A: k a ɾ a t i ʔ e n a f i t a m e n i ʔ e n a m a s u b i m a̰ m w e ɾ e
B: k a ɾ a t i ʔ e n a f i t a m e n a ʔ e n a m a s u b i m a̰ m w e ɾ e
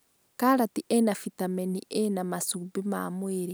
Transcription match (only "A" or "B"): A